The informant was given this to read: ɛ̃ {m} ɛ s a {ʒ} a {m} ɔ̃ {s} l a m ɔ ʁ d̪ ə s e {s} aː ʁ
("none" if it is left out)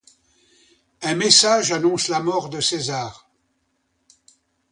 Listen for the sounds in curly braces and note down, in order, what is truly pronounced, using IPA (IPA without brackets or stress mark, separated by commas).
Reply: m, ʒ, n, s, z